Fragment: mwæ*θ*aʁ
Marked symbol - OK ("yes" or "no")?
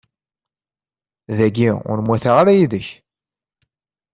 yes